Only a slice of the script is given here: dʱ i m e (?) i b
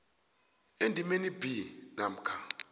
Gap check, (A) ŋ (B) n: B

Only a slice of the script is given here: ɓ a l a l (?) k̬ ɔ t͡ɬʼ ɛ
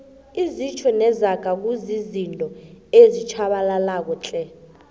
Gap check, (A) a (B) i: A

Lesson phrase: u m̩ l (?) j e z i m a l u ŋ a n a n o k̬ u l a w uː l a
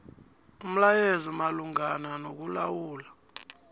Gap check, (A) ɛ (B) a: B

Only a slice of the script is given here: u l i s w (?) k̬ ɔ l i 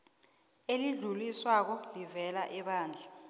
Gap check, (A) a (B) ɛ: A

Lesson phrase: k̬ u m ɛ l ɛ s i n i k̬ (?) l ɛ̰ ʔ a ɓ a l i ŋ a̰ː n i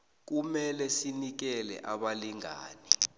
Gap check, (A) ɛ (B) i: A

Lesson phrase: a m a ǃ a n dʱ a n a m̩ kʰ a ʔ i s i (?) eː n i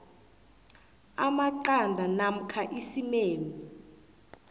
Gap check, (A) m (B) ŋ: A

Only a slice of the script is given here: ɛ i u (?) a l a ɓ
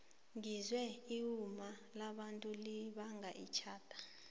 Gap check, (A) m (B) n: A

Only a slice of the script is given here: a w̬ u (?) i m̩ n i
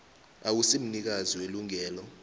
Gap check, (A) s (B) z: A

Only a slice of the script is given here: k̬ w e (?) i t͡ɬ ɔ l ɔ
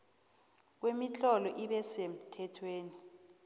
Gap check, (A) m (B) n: A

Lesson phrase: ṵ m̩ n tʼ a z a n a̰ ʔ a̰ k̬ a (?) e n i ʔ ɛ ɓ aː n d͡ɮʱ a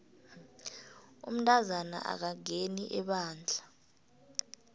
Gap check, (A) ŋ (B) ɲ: A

